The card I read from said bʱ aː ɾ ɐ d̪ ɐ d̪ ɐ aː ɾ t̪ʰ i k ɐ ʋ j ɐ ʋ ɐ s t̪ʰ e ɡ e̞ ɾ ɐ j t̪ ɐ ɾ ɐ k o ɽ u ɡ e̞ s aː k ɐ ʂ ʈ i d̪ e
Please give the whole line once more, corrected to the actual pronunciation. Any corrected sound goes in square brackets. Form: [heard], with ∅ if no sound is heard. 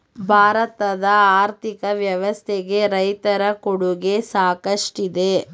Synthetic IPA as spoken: bʱ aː ɾ ɐ [t̪] ɐ d̪ ɐ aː ɾ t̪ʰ i k ɐ ʋ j ɐ ʋ ɐ s t̪ʰ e ɡ e̞ ɾ ɐ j t̪ ɐ ɾ ɐ k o ɽ u ɡ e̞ s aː k ɐ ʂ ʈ i d̪ e